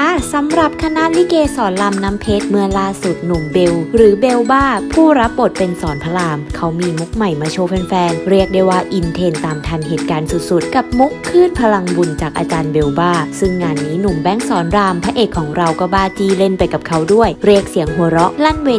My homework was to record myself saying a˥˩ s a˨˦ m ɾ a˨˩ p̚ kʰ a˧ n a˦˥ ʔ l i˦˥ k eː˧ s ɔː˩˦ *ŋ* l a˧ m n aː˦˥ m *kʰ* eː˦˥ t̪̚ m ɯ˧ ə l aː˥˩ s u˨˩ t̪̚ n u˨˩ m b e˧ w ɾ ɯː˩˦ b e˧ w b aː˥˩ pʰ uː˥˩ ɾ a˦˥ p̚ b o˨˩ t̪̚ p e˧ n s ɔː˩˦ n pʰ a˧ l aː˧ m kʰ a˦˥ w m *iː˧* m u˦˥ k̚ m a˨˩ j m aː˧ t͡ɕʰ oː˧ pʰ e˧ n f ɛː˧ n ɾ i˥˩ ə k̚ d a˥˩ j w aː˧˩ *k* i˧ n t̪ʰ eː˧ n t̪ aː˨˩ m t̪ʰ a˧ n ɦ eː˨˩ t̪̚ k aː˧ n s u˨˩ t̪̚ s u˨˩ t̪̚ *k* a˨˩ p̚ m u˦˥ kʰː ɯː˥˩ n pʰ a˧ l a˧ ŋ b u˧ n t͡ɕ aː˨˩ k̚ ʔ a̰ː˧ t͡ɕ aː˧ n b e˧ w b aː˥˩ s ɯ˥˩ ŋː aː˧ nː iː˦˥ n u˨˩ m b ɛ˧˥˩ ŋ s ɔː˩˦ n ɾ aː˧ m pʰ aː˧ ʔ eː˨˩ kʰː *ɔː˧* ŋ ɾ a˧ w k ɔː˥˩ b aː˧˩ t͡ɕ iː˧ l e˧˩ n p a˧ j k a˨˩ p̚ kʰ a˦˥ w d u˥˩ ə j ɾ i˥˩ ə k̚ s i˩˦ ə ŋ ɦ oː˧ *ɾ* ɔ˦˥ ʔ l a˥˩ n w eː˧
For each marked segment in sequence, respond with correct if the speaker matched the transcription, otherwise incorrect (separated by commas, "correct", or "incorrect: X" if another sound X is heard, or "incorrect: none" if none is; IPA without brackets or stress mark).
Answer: incorrect: n, incorrect: pʰ, correct, incorrect: ʔ, correct, incorrect: ɔː˩˦, correct